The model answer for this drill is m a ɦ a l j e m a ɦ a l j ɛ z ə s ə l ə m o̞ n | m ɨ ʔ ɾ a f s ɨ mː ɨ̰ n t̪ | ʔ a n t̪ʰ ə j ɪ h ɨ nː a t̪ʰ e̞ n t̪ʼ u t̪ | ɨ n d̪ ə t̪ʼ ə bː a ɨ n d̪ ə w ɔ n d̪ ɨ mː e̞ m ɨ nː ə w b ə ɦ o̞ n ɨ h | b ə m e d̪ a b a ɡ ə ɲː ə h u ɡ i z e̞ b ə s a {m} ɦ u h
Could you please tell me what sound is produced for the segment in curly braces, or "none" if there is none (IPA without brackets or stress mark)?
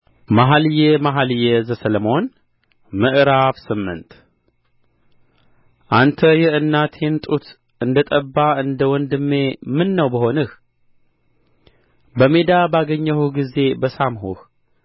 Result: m